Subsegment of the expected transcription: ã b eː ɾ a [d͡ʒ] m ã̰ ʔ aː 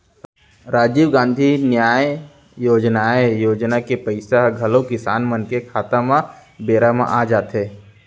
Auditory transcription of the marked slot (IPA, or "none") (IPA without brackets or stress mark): none